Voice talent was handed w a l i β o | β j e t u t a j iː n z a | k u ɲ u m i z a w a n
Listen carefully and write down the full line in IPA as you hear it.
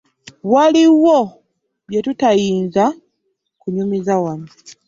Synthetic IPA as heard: w a l i w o | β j e t u t a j iː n z a | k u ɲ u m i z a w a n